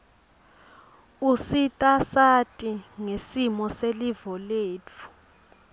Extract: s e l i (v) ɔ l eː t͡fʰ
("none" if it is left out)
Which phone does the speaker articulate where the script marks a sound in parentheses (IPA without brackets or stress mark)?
v